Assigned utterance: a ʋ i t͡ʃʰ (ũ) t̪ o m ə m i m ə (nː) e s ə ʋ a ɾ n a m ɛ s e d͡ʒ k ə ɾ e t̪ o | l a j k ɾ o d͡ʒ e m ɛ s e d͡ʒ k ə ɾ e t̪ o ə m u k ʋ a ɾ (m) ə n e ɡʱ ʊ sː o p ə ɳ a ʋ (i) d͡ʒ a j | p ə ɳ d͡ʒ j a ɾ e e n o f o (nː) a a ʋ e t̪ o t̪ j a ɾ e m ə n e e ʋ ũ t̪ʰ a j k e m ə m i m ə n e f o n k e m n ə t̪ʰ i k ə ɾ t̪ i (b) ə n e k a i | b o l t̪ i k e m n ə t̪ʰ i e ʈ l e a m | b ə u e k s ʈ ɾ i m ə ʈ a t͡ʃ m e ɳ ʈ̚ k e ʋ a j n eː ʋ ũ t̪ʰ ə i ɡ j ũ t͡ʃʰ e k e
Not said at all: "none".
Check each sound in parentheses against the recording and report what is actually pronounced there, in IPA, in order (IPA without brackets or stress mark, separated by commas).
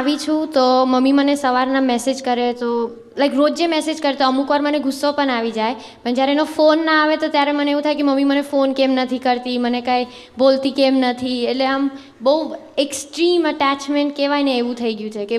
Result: ũ, n, m, i, nː, m